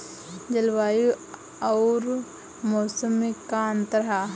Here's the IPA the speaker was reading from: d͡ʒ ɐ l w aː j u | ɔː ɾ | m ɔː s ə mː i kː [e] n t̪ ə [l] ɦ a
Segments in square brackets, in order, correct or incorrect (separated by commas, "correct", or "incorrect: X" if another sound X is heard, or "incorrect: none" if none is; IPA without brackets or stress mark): incorrect: a, incorrect: ɾ